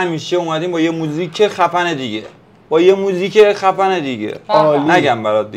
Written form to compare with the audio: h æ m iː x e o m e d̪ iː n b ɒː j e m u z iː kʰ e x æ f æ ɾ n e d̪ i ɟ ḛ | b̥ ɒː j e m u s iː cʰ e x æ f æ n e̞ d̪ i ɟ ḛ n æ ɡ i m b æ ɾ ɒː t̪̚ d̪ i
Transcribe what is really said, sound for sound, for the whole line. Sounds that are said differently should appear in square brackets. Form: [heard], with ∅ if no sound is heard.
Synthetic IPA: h æ m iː [ʃ] e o m [æ] d̪ iː [m] b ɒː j e m u z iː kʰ e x æ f æ [∅] n e d̪ i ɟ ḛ | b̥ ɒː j e m u [z] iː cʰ e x æ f æ n e̞ d̪ i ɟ ḛ n æ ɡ [æ] m b æ ɾ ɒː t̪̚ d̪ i